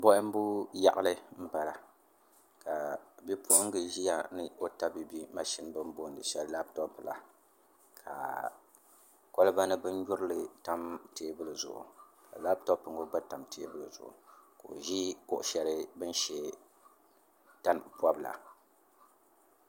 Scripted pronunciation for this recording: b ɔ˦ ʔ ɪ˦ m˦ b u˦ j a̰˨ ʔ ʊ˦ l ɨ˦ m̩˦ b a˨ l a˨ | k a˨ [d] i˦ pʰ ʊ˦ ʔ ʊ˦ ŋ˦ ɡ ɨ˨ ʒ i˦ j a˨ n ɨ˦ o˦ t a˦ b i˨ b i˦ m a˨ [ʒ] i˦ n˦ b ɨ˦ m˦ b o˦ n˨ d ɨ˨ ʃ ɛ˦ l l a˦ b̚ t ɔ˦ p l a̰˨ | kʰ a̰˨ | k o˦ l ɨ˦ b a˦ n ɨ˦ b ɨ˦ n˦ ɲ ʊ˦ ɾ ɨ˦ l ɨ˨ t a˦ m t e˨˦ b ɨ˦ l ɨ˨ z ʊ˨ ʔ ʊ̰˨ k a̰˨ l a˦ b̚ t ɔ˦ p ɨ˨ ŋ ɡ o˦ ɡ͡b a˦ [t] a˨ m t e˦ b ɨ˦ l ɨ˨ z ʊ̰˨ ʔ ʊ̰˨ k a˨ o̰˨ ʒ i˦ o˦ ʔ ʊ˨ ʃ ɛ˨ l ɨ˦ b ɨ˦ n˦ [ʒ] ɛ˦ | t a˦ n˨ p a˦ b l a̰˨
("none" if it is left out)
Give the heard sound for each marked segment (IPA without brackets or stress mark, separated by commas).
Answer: b, ʃ, t, ʃ